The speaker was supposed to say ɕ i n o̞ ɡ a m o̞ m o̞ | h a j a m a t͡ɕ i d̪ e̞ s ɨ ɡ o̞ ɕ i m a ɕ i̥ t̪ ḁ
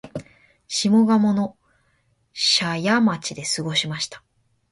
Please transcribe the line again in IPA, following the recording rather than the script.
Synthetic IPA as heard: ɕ i m o̞ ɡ a m o̞ n o̞ | ɕ a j a m a t͡ɕ i d̪ e̞ s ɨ ɡ o̞ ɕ i m a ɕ i̥ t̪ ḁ